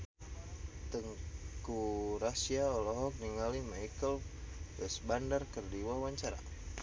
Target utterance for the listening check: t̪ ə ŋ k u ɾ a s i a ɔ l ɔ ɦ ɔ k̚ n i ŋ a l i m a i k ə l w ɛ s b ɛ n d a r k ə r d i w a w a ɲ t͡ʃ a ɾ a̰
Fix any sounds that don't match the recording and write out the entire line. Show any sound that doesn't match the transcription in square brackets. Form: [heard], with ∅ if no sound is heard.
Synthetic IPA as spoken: t̪ ə ŋ k u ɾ a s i a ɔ l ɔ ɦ ɔ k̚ n i ŋ a l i m a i k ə l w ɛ s b [a] n d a r k ə r d i w a w a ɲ t͡ʃ a ɾ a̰